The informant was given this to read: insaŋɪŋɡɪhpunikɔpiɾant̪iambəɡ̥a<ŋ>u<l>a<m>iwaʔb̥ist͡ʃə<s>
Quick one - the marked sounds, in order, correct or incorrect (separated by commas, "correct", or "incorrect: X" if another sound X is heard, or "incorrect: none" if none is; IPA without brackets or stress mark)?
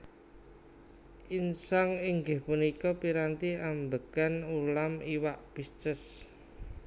incorrect: n, correct, correct, correct